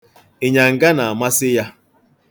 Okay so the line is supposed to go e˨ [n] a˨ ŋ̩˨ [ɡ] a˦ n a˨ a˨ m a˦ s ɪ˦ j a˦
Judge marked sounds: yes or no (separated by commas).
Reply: no, yes